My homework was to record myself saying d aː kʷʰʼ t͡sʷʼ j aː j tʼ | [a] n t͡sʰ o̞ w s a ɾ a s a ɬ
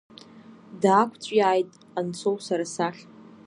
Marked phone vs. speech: correct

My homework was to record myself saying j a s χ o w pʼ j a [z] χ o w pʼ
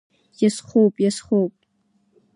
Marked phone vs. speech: incorrect: s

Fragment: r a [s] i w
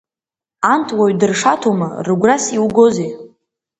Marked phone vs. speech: correct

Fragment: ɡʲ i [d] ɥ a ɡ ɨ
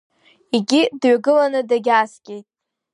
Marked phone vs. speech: correct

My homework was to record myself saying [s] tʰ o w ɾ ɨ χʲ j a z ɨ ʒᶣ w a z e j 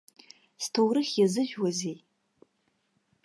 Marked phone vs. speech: correct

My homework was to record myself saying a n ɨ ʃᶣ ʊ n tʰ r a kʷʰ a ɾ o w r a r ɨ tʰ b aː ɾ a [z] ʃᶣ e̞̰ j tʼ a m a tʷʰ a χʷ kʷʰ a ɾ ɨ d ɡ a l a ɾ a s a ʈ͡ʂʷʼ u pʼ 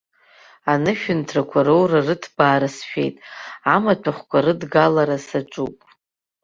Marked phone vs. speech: incorrect: s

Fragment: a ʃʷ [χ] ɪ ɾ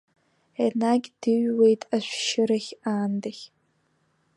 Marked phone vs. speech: incorrect: ʃ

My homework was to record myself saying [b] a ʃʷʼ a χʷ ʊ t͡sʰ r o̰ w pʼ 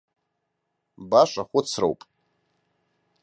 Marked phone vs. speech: correct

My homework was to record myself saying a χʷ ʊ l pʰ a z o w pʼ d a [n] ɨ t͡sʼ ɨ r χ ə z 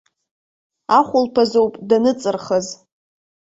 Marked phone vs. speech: correct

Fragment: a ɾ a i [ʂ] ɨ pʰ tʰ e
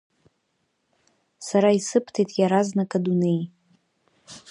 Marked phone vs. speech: incorrect: s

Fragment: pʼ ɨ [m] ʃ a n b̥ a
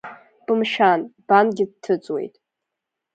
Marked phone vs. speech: correct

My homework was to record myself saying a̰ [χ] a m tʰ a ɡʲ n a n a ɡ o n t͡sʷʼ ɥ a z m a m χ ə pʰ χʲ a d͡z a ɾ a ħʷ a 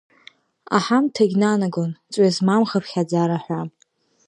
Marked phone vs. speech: incorrect: ħ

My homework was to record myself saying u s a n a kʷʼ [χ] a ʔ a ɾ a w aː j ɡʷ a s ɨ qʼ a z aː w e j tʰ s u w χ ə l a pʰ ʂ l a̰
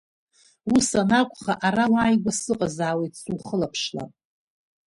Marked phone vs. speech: correct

